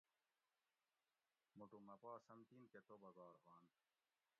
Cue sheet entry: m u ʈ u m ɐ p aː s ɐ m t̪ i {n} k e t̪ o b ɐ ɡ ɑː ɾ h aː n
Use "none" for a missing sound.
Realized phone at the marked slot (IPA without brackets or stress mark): n